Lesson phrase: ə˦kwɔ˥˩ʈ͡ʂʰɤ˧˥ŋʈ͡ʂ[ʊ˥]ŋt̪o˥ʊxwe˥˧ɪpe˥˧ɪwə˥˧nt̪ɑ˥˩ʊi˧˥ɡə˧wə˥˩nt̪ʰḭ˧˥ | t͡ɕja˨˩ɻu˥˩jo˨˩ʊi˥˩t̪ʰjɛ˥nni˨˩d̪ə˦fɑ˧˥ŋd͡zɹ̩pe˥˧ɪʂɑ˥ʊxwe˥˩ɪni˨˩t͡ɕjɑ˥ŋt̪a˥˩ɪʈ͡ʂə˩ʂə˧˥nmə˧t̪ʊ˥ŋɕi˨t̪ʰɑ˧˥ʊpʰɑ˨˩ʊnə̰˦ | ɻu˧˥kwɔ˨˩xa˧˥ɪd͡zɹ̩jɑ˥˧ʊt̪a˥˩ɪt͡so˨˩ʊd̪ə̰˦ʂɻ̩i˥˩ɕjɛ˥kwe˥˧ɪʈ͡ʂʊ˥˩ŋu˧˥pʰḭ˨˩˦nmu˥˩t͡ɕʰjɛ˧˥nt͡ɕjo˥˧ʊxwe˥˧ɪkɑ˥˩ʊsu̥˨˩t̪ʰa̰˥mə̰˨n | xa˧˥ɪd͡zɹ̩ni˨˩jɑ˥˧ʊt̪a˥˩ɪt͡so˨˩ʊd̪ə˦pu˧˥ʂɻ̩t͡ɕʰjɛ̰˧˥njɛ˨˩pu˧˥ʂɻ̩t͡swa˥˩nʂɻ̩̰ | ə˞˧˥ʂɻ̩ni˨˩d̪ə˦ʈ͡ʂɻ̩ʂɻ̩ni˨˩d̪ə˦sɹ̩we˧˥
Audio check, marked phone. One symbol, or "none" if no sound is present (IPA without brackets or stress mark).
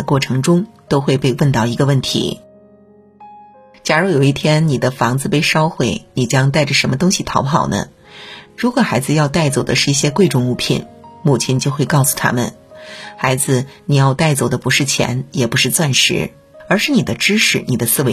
ʊ˥